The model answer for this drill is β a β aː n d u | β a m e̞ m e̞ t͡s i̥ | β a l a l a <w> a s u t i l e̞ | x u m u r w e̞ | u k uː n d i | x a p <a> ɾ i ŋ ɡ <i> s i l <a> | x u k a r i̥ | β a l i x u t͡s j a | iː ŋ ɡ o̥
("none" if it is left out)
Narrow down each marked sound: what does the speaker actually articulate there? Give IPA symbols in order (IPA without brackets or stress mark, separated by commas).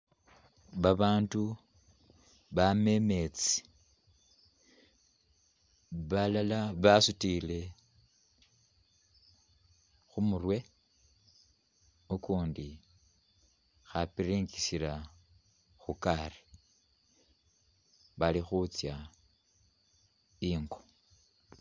β, i, i, a